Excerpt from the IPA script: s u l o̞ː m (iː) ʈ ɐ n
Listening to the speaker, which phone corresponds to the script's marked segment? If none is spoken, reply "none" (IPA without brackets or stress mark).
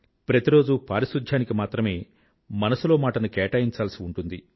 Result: aː